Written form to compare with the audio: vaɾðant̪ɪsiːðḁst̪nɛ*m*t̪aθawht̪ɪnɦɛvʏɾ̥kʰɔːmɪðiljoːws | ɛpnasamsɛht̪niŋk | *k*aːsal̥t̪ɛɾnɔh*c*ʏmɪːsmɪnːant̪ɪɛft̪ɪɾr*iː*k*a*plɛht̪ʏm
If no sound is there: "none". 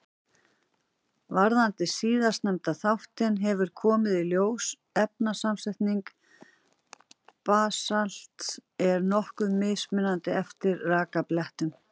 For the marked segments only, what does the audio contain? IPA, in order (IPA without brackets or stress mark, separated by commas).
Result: m, p, k, aː, a